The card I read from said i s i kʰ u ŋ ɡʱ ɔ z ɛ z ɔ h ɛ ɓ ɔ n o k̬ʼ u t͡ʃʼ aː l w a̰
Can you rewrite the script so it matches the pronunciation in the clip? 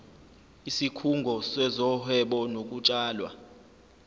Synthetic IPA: i s i kʰ u ŋ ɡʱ ɔ s ɛ z ɔ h ɛ ɓ ɔ n o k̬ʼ u t͡ʃʼ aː l w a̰

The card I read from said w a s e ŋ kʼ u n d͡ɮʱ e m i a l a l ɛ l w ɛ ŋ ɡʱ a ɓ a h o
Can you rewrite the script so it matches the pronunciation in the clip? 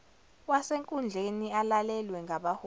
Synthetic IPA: w a s e ŋ kʼ u n d͡ɮʱ e n i a l a l ɛ l w ɛ ŋ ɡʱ a ɓ a h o

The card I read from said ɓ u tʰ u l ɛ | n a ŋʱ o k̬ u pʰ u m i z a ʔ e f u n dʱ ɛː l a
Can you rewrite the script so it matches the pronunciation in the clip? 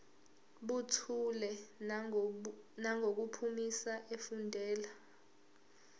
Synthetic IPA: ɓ u tʰ u l ɛ | n a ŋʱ o k̬ u pʰ u m i s a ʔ e f u n dʱ ɛː l a

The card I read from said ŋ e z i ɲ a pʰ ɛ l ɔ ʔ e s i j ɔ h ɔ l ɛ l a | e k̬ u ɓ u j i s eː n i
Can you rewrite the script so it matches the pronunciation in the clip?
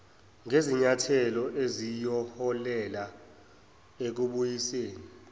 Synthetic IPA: ŋ e z i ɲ a tʰ ɛ l ɔ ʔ e z i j ɔ h ɔ l ɛ l a | e k̬ u ɓ u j i s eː n i

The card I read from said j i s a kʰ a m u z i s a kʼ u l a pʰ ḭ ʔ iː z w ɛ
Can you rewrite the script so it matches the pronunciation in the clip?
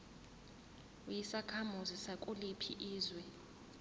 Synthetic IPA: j i s a kʰ a m u z i s a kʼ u l i pʰ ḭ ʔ iː z w ɛ

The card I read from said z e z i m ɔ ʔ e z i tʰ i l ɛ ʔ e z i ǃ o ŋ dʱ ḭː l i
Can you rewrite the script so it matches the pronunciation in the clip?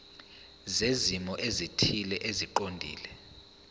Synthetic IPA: z e z i m ɔ ʔ e z i tʰ i l ɛ ʔ e z i ǃ o n dʱ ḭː l ɛ

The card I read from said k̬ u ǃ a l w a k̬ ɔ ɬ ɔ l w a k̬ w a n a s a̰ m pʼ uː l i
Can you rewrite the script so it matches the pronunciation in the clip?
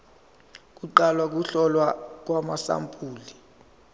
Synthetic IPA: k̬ u ǃ a l w a k̬ u ɬ ɔ l w a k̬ w a m a s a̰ m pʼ uː l i

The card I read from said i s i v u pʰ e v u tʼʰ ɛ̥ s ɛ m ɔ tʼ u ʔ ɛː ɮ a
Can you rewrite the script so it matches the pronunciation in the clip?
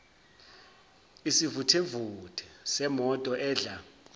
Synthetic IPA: i s i v u tʰ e v u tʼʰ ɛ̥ s ɛ m ɔ tʼ ɔ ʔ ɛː ɮ a

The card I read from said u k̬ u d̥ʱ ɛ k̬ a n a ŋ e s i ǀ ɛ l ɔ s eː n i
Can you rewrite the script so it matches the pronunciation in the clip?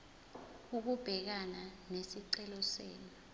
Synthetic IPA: u k̬ u b̥ʱ ɛ k̬ a n a n e s i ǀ ɛ l ɔ s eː n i

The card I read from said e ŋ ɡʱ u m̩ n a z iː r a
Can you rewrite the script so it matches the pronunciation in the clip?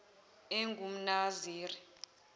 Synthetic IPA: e ŋ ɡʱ u m̩ n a z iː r i

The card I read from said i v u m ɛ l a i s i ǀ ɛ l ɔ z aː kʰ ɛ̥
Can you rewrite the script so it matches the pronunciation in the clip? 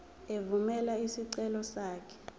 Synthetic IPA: e v u m ɛ l a i s i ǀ ɛ l ɔ s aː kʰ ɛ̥

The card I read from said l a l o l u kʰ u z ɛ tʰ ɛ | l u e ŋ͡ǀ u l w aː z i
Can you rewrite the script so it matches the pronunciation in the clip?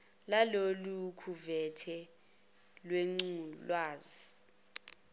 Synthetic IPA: l a l o l u kʰ u v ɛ tʰ ɛ | l w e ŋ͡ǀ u l w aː z i

